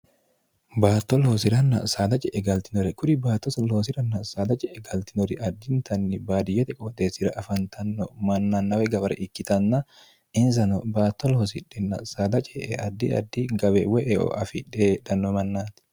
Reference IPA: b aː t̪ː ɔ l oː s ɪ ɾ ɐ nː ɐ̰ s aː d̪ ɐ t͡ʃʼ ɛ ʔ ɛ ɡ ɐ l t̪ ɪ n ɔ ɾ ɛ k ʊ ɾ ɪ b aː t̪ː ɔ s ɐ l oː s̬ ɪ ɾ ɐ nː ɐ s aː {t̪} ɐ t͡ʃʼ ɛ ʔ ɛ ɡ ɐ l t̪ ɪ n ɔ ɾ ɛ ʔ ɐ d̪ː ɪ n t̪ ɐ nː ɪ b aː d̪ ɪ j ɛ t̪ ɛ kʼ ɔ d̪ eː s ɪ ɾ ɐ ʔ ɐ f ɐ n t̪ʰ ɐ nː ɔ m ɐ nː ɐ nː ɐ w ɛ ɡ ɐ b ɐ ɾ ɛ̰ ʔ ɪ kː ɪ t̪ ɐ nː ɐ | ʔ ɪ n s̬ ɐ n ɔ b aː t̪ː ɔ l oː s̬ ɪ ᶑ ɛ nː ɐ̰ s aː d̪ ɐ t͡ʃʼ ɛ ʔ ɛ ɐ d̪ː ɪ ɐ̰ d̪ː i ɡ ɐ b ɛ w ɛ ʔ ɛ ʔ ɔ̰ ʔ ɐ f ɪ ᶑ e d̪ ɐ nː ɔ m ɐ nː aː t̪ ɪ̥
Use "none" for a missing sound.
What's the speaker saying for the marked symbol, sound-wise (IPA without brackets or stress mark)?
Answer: d̪